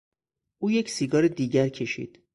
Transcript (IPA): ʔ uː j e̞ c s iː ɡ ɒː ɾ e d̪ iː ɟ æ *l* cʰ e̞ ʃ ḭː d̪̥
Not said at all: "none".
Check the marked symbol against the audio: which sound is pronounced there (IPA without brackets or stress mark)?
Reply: ɾ